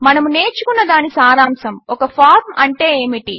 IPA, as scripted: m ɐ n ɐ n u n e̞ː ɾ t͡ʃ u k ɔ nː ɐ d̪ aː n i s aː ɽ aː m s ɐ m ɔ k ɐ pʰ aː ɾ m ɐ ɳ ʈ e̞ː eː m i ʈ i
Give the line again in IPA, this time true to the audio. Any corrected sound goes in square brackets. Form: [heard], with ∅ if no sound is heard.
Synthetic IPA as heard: m ɐ n ɐ [m] u n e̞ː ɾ t͡ʃ u k [u] nː ɐ d̪ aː n i s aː [ɾ] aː m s ɐ m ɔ k ɐ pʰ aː ɾ m ɐ ɳ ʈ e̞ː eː m i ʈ i